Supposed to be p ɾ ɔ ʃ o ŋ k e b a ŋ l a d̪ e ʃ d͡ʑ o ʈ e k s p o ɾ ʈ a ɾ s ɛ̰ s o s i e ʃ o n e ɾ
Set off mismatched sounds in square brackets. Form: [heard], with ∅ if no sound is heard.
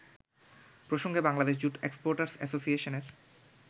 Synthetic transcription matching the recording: p ɾ [o] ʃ o ŋ [ɡ] e b a ŋ l a d̪ e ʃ d͡ʑ [u] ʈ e k s p o ɾ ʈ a ɾ s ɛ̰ s o s i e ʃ o n e ɾ